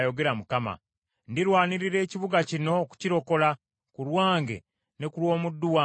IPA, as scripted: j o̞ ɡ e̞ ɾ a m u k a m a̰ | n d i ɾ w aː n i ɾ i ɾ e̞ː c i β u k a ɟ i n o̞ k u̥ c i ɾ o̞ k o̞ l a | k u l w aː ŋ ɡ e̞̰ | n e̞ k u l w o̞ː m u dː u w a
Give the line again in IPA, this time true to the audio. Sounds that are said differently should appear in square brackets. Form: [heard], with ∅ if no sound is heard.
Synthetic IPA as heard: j o̞ ɡ e̞ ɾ a m u k a m a̰ | n d i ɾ w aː n i ɾ i ɾ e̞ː c i β u [ɡ] a [c] i n o̞ k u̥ c i ɾ o̞ k o̞ l a | k u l w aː ŋ ɡ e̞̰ | n e̞ k u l w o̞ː m u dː u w a

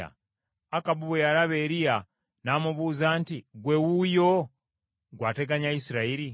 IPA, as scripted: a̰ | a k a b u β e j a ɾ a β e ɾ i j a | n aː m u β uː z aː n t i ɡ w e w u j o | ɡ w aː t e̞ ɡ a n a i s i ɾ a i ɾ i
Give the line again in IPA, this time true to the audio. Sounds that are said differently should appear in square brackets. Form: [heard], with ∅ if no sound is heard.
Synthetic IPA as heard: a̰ | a k a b u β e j a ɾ a β e ɾ i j a | n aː m u β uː z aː n t i ɡ w e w u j o | ɡ w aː t e̞ ɡ a [ɲ] a i s i ɾ a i ɾ i

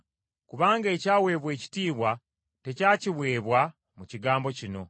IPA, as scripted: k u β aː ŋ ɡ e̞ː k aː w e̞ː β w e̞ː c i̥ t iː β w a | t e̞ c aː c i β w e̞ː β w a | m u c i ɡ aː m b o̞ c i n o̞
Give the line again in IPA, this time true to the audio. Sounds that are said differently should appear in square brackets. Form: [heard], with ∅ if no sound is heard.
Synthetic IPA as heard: k u β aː ŋ ɡ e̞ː [c] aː w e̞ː β w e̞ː c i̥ t iː β w a | t e̞ c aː c i β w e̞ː β w a | m u c i ɡ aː m b o̞ c i n o̞

